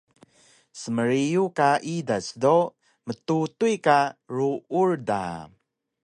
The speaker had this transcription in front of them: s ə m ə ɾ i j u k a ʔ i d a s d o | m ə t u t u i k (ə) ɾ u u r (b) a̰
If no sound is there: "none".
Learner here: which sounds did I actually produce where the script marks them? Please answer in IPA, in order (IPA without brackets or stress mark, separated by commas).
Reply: a, d